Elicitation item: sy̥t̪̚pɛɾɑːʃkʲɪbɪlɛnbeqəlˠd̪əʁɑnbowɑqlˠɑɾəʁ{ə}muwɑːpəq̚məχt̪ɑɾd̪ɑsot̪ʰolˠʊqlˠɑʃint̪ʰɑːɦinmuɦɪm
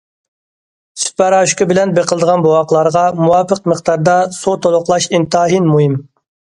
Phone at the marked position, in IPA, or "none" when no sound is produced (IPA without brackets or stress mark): ɑ